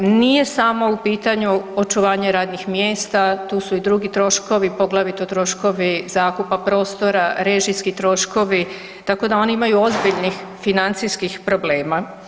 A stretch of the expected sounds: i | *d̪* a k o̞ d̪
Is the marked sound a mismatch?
yes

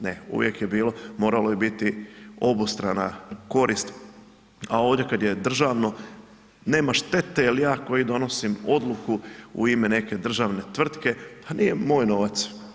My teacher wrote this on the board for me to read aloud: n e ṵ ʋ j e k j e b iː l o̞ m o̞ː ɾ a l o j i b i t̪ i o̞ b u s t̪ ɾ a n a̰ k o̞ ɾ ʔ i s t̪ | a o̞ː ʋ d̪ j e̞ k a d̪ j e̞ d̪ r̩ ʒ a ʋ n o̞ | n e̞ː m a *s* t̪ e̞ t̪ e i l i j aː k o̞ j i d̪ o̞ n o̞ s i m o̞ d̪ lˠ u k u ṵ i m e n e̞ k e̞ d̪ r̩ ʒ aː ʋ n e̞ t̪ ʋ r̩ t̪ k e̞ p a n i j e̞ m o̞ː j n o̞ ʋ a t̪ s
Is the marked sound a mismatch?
yes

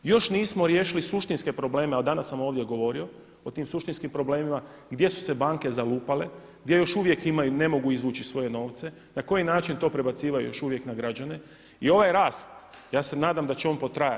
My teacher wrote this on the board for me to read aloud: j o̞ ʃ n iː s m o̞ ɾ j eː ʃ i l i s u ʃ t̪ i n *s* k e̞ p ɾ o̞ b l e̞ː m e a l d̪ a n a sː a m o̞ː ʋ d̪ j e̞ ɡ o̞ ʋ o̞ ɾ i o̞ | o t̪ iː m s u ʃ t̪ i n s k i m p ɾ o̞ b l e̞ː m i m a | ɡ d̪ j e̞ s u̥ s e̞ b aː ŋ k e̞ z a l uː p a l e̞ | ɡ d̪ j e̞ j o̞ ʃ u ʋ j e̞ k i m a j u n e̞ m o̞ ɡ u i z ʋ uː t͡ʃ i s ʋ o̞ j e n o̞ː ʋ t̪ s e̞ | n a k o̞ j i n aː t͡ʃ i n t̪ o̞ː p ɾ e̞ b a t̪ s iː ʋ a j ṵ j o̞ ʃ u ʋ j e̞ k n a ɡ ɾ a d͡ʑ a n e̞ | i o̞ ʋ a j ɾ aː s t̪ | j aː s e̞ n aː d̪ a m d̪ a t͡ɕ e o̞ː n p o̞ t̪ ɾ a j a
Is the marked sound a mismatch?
no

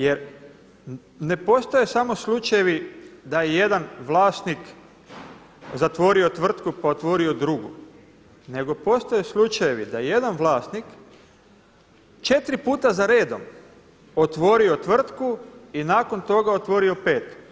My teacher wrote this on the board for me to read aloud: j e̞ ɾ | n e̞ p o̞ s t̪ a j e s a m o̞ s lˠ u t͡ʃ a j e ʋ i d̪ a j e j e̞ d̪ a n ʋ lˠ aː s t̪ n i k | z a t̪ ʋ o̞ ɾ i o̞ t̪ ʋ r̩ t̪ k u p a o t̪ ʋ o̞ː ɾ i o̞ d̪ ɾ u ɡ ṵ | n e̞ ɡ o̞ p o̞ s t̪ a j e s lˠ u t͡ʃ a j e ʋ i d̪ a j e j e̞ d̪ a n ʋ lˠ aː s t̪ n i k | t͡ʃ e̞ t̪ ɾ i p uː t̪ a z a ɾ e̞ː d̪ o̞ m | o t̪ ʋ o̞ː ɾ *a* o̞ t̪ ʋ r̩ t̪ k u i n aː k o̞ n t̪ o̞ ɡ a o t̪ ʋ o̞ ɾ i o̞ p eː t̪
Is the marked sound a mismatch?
yes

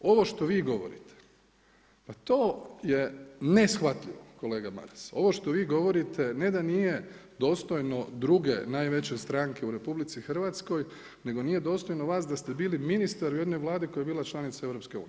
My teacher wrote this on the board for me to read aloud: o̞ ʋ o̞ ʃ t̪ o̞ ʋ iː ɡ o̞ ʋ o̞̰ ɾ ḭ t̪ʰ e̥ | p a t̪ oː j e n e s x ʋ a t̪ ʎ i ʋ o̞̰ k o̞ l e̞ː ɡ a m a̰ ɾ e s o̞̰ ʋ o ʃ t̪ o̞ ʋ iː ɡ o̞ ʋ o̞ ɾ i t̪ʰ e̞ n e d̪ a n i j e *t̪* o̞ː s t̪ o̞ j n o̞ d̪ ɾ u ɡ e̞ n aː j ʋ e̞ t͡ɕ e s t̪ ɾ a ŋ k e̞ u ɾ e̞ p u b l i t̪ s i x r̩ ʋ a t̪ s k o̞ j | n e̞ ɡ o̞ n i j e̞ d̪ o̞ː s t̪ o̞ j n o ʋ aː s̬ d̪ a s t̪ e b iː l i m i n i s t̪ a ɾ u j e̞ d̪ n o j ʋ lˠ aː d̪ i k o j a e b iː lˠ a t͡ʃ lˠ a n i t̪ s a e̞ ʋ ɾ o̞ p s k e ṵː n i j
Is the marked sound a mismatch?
yes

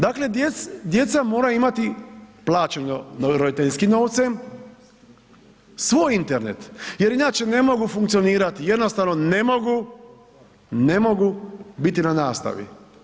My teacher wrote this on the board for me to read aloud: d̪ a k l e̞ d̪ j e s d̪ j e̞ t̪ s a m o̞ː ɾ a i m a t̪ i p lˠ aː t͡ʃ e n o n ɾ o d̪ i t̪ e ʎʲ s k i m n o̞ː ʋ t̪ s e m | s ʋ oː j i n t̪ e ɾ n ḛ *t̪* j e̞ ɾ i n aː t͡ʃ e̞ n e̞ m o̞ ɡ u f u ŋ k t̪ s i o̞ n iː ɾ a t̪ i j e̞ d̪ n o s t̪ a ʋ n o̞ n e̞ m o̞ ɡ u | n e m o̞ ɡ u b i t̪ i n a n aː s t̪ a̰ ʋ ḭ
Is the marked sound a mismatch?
no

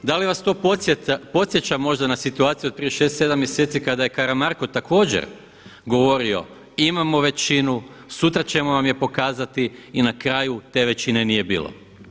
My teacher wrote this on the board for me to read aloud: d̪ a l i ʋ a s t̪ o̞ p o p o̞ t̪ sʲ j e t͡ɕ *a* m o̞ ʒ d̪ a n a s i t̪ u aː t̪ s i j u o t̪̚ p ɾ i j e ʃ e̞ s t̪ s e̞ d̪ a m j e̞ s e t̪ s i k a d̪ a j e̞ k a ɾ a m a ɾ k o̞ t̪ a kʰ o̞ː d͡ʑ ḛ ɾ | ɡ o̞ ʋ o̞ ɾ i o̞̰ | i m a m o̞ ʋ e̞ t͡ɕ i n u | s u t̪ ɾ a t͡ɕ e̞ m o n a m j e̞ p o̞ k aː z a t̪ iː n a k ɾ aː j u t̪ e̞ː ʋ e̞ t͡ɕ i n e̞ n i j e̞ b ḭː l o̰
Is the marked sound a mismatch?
no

